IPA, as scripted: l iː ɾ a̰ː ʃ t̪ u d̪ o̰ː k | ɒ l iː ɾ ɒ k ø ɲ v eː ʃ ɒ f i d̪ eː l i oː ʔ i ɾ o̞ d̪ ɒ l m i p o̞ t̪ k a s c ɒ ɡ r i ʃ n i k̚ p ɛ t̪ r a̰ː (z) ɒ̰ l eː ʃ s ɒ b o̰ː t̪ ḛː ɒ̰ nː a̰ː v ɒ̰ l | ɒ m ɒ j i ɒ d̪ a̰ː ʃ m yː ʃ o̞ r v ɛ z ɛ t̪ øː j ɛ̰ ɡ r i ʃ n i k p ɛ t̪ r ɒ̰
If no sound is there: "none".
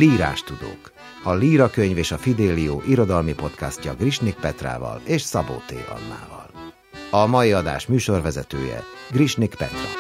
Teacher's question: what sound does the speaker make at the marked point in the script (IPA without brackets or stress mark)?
v